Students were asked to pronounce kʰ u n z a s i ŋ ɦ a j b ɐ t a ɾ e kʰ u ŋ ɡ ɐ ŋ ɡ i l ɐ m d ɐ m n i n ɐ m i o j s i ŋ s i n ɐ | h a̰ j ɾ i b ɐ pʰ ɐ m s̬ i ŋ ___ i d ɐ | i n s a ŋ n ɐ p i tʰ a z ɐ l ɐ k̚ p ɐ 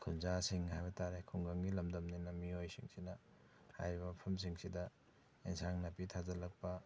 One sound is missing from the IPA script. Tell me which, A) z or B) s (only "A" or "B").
B